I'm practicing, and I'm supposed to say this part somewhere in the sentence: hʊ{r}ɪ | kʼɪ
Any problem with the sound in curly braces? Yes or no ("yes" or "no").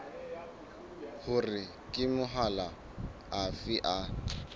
no